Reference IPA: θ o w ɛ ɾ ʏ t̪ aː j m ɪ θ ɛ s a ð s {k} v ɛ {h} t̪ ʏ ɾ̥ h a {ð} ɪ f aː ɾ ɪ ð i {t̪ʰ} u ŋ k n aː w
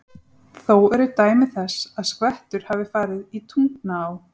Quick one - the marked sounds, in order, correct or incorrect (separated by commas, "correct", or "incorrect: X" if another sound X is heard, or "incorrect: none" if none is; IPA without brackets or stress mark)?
correct, correct, incorrect: v, correct